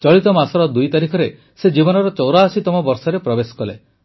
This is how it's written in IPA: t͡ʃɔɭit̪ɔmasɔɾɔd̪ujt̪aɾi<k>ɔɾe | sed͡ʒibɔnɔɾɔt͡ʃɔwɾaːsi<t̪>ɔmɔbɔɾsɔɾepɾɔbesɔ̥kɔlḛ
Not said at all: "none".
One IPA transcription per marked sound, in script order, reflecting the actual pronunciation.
kʰ, t̪

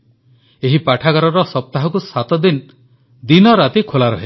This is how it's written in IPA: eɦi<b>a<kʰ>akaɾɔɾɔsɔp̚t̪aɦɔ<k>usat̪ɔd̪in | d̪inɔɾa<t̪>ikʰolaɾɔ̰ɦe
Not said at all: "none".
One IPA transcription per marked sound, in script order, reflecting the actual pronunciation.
p, ʈʰ, k, t̪

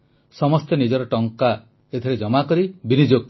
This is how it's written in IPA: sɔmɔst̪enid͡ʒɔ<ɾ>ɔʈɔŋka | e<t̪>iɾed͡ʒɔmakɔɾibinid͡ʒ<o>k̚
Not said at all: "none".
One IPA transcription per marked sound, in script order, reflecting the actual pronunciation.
ɾ, t̪ʰ, o

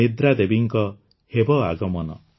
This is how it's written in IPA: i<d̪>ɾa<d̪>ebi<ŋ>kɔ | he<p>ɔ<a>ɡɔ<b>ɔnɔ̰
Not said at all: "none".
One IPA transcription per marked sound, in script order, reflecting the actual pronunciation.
d̪, d̪, ŋ, b, a, m

